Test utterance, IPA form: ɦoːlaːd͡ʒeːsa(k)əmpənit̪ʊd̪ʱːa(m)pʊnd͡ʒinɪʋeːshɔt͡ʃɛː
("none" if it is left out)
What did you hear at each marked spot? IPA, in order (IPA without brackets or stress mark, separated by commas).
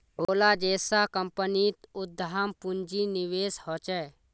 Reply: k, m